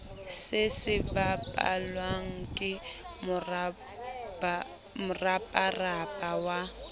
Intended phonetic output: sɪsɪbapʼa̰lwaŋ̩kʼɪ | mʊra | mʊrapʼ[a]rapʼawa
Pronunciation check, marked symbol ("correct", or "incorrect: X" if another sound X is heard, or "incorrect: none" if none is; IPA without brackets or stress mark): correct